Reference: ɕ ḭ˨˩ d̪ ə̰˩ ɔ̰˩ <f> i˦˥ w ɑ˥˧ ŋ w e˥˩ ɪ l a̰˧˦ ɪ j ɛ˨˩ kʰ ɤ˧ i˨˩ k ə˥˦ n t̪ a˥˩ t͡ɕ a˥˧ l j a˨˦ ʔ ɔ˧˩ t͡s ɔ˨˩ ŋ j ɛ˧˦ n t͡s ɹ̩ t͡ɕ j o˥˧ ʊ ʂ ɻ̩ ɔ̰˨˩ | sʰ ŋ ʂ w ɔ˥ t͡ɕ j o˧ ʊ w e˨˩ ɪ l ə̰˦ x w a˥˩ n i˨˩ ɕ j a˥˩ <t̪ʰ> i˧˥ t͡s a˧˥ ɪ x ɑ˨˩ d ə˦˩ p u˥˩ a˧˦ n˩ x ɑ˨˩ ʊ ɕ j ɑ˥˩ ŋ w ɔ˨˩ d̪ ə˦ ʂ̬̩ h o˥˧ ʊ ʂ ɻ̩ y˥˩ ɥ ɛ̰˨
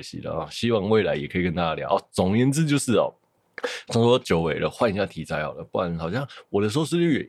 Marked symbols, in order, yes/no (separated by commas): no, yes